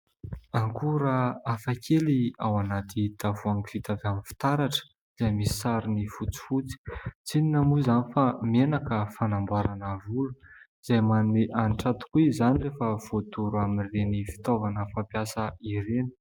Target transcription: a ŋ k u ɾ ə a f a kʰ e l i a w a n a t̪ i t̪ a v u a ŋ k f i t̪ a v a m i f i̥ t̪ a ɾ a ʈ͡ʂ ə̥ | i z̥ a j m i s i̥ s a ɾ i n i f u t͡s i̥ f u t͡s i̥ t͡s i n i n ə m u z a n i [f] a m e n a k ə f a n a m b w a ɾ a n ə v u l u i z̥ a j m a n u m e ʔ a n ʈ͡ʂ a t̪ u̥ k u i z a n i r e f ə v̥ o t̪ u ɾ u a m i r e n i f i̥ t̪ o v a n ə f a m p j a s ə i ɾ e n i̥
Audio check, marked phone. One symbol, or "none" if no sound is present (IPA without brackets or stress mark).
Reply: f